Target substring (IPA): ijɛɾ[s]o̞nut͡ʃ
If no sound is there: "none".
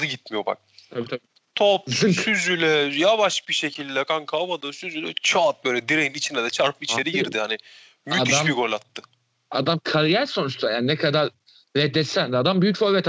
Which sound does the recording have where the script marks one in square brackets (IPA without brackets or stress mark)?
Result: s